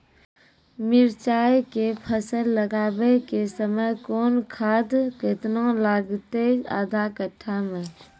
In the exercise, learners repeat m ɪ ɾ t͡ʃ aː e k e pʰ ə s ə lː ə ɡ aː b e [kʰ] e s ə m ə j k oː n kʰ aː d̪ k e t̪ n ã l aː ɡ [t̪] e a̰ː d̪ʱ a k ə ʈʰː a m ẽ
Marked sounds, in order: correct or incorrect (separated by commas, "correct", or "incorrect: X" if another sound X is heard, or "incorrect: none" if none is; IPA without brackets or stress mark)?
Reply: incorrect: k, correct